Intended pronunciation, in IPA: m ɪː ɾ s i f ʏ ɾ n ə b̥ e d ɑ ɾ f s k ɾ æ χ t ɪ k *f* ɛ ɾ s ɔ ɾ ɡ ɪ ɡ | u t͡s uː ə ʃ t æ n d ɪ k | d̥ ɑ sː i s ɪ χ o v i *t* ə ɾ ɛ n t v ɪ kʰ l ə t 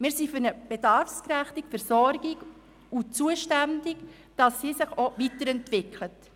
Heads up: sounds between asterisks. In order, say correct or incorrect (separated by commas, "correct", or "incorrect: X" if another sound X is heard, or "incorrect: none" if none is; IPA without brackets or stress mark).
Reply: correct, correct